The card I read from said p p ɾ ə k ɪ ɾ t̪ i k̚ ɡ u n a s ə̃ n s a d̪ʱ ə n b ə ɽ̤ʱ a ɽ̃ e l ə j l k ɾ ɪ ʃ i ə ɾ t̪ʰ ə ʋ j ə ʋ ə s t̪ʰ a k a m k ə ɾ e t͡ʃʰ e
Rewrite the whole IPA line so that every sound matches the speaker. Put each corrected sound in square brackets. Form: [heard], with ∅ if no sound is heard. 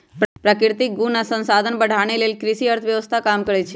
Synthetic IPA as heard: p p ɾ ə k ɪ ɾ t̪ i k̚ ɡ u n a s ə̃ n s a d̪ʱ ə n b ə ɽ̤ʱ a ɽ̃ e l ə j l k ɾ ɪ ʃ i ə ɾ t̪ʰ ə ʋ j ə ʋ ə s t̪ʰ a k a m k ə ɾ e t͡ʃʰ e